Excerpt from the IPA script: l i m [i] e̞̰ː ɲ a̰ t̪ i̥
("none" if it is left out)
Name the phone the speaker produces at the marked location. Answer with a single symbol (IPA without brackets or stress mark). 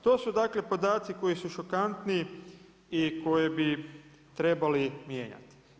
j